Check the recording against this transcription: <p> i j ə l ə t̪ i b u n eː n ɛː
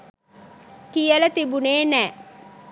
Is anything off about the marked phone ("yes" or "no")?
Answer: yes